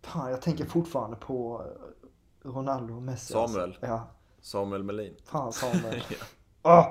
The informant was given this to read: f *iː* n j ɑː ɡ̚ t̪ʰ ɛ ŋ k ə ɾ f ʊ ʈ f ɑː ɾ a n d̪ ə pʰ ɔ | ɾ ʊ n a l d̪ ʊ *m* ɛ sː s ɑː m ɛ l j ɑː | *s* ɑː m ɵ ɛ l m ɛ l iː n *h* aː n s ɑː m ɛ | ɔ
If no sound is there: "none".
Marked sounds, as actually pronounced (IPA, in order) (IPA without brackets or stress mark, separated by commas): aː, m, s, f